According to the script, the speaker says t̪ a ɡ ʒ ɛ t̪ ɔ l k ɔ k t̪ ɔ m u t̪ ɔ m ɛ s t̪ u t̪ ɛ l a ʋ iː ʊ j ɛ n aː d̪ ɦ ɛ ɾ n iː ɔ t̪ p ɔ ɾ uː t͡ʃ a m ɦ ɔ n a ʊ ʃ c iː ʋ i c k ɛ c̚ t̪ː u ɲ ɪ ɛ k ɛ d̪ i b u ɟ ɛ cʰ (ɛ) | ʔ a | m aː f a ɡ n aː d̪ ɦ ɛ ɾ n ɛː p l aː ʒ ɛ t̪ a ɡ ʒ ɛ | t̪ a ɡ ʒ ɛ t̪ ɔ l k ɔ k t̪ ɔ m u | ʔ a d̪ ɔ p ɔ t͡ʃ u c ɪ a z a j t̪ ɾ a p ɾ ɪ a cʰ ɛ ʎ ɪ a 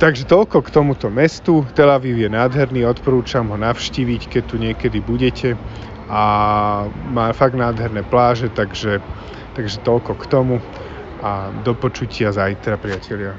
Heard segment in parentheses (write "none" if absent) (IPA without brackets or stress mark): ɛ